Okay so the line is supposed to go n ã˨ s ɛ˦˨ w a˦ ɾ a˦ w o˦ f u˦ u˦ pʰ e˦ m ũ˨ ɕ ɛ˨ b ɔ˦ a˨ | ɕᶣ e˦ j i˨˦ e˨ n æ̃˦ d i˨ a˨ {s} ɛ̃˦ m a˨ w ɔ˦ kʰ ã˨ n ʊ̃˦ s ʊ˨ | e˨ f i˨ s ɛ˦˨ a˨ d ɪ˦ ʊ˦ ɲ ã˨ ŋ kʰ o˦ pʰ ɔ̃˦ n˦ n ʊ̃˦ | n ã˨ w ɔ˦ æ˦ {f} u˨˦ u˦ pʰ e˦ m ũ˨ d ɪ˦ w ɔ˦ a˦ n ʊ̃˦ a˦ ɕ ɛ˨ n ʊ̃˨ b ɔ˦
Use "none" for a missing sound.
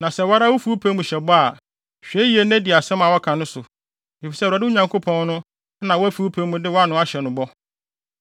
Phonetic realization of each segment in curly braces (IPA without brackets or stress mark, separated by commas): s, f